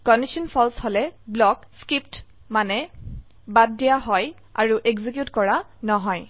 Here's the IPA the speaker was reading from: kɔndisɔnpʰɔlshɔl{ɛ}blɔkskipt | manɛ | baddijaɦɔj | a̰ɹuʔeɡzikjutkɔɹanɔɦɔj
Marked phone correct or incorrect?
correct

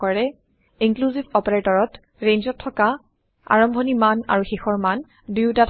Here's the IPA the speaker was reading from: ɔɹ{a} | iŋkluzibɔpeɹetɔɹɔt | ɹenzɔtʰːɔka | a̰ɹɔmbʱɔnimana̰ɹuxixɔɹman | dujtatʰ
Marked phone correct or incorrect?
incorrect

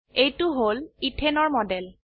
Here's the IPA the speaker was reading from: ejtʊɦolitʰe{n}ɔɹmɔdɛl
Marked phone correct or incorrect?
correct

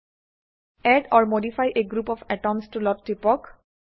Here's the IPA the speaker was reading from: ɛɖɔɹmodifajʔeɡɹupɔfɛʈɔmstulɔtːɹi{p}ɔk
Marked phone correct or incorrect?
correct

